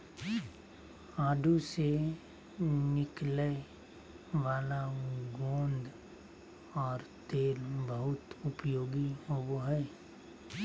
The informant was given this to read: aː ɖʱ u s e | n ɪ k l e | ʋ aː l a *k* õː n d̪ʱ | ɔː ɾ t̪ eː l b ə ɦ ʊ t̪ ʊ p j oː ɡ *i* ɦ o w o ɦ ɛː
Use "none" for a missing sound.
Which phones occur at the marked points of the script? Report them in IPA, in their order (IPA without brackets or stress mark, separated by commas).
ɡ, i